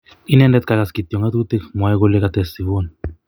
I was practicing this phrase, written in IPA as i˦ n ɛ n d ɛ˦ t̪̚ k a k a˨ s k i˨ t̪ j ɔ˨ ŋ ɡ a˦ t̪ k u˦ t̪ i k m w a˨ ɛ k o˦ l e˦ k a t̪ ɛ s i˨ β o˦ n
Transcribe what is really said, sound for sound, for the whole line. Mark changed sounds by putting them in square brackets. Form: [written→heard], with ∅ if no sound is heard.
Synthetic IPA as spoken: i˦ n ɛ n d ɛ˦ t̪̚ k a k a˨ s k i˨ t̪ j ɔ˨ ŋ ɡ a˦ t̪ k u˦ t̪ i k m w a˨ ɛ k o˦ l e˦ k a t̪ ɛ s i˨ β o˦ n